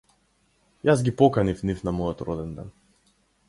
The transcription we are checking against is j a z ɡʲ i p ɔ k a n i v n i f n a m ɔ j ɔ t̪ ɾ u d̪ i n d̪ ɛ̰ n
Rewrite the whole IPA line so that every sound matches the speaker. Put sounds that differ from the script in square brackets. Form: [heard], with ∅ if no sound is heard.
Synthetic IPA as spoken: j a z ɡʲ i p ɔ k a n i [f] n i f n a m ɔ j ɔ t̪ ɾ [ɔ] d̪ [ɛ] n d̪ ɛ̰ n